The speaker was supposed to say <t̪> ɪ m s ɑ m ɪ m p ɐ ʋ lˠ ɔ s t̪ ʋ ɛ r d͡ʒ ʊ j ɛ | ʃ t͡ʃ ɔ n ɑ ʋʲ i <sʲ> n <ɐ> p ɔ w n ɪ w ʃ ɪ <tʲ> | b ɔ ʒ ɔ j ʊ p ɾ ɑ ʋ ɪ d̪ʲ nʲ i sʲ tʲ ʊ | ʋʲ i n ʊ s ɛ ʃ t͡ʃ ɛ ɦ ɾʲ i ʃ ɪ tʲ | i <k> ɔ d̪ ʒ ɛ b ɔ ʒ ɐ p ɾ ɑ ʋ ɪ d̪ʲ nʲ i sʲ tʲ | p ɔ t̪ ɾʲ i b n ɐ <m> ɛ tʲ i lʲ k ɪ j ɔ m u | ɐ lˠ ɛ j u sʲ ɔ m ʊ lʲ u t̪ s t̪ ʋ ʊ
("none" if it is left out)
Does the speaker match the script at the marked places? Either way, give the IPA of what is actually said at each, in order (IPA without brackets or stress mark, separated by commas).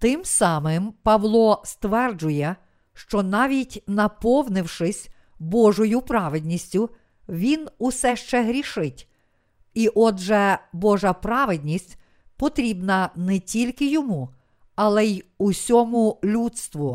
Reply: t̪, tʲ, ɐ, sʲ, ʔ, n